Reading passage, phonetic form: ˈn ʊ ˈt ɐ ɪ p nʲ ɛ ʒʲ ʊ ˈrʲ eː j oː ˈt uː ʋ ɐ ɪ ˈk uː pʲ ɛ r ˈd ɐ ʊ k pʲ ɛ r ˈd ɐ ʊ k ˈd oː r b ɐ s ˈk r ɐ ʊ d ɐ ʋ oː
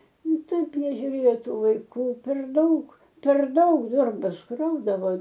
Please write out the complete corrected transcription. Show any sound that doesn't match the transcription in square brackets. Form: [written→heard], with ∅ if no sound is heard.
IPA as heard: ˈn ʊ ˈt ɐ ɪ p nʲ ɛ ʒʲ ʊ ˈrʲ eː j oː ˈt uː ʋ ɐ ɪ ˈk uː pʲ ɛ r ˈd ɐ ʊ k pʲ ɛ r ˈd ɐ ʊ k ˈd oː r b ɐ s ˈk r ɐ ʊ d ɐ ʋ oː